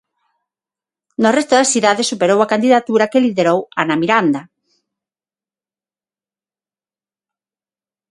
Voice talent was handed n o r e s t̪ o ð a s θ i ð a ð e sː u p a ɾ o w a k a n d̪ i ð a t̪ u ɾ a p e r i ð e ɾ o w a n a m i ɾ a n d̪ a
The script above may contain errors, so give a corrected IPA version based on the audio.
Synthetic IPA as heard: n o r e s t̪ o ð a s θ i ð a ð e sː u p e ɾ o w a k a n d̪ i ð a t̪ u ɾ a k e l i ð e ɾ o w a n a m i ɾ a n d̪ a